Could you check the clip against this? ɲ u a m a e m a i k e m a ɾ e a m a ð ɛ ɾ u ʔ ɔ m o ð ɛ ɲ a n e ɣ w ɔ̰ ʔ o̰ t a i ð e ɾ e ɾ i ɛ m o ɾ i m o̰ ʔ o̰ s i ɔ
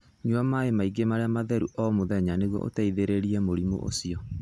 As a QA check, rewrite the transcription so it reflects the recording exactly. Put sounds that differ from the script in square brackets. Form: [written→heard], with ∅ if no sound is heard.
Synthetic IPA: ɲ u a m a e m a i [k→ɡ] e m a ɾ e a m a ð ɛ ɾ u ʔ ɔ m o ð ɛ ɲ a n e ɣ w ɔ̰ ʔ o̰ t a i ð e ɾ e ɾ i ɛ m o ɾ i m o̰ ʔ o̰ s i ɔ